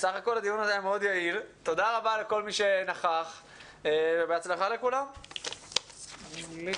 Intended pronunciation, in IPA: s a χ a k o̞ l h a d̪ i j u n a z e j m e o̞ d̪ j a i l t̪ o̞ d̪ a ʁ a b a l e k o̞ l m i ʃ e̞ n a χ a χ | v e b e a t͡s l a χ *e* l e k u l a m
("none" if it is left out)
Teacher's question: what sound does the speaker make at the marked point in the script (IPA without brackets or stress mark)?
a